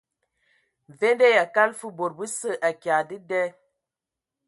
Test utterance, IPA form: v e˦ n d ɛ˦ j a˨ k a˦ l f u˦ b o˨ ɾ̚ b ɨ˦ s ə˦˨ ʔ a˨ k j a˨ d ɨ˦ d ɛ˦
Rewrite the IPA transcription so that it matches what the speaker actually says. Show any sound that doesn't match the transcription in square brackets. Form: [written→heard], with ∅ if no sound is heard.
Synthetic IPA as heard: v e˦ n d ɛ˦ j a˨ k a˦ l f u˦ b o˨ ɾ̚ b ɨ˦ s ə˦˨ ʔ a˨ k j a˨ d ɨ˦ d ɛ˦